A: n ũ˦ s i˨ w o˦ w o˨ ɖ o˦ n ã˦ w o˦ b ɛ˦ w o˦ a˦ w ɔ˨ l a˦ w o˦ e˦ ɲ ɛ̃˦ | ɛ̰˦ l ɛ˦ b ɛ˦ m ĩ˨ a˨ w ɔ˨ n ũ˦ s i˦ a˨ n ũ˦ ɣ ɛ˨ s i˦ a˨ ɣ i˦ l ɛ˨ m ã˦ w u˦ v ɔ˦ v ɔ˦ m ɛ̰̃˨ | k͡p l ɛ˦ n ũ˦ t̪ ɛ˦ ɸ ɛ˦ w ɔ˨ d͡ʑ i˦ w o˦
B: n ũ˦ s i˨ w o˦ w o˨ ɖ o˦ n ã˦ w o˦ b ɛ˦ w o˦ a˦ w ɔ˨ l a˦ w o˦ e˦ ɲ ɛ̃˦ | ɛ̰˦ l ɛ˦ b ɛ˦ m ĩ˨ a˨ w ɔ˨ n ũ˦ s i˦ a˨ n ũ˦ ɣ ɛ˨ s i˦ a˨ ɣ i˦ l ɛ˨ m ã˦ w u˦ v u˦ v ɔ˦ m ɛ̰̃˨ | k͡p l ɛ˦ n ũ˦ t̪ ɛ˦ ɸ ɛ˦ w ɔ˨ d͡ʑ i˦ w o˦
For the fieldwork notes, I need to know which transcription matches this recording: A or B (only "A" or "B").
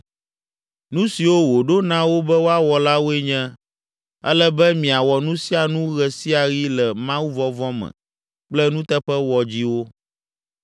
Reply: A